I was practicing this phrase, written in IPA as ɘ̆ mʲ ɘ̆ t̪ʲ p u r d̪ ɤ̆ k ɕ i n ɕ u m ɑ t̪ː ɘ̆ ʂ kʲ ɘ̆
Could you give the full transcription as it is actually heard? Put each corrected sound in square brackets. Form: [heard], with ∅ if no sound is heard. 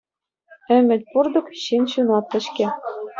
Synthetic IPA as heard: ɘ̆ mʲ ɘ̆ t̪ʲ p u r d̪ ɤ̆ k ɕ i n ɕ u [n] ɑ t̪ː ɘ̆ [ɕ] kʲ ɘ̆

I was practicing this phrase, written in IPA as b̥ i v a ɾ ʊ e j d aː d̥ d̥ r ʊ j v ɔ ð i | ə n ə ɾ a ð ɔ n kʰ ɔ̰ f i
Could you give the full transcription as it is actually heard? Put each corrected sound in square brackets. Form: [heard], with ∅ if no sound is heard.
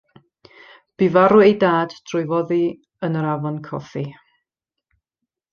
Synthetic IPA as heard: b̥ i v a ɾ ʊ e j d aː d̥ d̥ r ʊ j v ɔ ð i | ə n ə ɾ a [v] ɔ n kʰ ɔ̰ f i

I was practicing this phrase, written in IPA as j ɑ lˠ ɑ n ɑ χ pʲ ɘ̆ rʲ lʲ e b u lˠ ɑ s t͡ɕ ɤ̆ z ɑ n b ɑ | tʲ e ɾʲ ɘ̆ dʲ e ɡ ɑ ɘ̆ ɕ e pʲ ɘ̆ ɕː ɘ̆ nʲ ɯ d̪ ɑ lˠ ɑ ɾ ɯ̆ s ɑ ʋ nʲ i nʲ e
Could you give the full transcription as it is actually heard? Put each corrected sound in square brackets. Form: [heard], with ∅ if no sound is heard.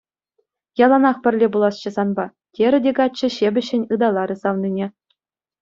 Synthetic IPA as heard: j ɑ lˠ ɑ n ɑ χ pʲ ɘ̆ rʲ lʲ e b u lˠ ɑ s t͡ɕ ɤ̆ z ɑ n b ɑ | tʲ e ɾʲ ɘ̆ dʲ e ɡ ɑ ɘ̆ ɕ e [bʲ] ɘ̆ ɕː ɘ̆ nʲ ɯ d̪ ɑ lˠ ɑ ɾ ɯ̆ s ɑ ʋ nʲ i nʲ e

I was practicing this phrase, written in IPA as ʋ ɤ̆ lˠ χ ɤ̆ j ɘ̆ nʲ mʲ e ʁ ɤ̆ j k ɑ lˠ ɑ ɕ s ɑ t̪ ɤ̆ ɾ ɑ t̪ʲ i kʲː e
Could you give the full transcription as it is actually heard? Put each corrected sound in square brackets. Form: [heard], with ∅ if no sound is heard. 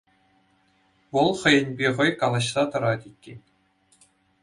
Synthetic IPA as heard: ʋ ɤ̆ lˠ χ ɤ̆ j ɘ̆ nʲ [bʲ] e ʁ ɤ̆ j k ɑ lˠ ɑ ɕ s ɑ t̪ ɤ̆ ɾ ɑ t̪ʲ i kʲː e

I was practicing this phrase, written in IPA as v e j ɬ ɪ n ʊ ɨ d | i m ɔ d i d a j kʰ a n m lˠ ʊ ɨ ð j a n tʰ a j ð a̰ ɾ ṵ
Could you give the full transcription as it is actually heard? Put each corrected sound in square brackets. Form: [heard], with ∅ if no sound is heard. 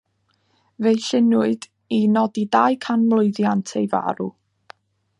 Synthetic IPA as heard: v e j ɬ ɪ n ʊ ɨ d | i [n] ɔ d i d a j kʰ a n m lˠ ʊ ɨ ð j a n tʰ [e] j [v] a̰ ɾ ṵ

